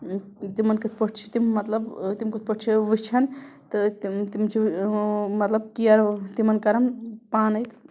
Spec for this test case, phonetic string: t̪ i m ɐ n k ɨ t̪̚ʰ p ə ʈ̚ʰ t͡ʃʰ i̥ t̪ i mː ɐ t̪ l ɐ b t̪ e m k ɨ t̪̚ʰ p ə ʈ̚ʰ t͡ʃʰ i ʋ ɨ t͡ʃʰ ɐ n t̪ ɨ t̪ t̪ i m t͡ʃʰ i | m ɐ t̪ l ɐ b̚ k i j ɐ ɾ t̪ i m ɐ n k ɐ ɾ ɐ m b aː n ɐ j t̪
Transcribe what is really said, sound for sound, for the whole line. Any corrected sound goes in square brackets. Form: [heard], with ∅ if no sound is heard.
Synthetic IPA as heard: t̪ i m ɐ n k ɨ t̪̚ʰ p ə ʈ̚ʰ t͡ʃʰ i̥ t̪ i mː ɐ t̪ l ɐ b t̪ [i] m k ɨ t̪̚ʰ p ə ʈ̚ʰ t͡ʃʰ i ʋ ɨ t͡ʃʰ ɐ n t̪ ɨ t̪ t̪ i m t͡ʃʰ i | m ɐ t̪ l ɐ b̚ k i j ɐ ɾ t̪ i m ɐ n k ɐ ɾ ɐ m [p] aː n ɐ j t̪